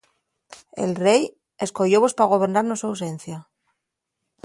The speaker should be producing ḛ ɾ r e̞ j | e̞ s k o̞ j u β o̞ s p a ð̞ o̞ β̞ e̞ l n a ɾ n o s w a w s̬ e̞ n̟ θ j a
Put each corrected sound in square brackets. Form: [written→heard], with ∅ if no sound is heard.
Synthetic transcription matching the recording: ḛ [ɾ→l] r e̞ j | e̞ s k o̞ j [u→o] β o̞ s p a [ð̞→ɣ̞] o̞ β̞ e̞ [l→ɾ] n a ɾ n o s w a w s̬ e̞ n̟ θ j a